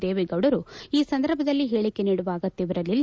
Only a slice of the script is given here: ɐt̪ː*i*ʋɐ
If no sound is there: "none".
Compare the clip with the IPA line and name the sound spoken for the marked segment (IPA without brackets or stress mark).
i